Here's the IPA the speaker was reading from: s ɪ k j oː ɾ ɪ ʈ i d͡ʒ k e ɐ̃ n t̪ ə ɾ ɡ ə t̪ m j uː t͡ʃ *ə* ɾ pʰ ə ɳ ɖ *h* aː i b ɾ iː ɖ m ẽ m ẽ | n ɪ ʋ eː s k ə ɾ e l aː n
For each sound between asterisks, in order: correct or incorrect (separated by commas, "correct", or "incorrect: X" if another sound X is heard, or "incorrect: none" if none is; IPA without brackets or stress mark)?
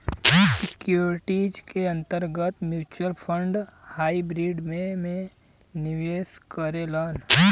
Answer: correct, correct